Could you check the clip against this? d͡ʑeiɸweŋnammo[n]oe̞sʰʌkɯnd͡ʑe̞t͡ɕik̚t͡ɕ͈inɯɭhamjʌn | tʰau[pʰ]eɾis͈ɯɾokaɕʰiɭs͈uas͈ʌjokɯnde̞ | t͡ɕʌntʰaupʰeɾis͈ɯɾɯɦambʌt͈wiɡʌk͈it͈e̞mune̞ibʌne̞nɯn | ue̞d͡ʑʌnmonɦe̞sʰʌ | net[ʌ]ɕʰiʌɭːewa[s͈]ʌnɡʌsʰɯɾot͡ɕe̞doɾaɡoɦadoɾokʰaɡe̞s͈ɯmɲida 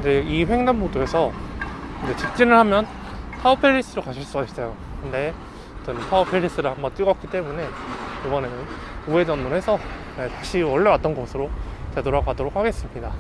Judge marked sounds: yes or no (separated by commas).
no, yes, no, no